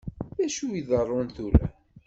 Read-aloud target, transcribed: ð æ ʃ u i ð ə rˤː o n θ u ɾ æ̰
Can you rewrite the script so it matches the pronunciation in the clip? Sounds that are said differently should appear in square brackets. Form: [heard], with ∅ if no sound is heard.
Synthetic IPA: ð æ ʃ u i ð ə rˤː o n θ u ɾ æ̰